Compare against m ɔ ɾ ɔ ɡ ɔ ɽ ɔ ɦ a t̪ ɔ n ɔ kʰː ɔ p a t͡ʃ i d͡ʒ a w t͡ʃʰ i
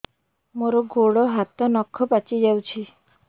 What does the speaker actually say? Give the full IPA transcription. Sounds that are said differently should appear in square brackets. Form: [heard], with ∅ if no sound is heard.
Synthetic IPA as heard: m [o] ɾ ɔ ɡ [o] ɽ ɔ ɦ a t̪ ɔ n ɔ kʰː ɔ p a t͡ʃ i d͡ʒ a w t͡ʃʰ i